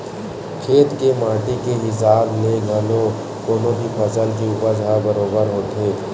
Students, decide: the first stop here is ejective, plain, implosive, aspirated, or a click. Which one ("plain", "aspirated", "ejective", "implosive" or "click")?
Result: aspirated